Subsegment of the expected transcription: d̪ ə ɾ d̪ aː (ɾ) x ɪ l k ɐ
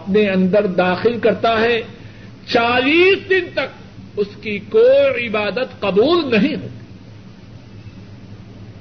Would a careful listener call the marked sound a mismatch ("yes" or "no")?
yes